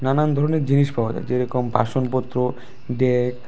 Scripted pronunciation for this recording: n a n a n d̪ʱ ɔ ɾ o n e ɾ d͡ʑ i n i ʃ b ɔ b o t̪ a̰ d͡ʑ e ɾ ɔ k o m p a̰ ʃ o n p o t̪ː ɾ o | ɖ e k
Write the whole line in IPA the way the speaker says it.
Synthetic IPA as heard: n a n a n d̪ʱ ɔ ɾ o n e ɾ d͡ʑ i n i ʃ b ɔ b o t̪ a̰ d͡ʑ e ɾ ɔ k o m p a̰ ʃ o n p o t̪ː ɾ o | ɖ e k